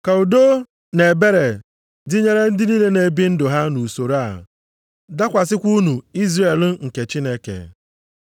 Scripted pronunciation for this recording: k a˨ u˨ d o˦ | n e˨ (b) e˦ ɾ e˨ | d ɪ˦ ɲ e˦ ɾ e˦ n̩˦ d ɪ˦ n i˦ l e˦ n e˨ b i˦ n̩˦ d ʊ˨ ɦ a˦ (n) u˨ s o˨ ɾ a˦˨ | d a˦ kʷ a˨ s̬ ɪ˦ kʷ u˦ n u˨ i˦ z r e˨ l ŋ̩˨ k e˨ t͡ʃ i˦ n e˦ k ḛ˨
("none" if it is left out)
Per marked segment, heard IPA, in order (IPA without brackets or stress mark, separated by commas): b, n